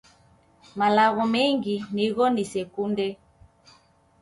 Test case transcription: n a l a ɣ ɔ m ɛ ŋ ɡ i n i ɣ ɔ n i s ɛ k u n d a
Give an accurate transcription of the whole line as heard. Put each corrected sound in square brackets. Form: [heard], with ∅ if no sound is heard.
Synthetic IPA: [m] a l a ɣ ɔ m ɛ ŋ ɡ i n i ɣ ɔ n i s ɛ k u n d [ɛ]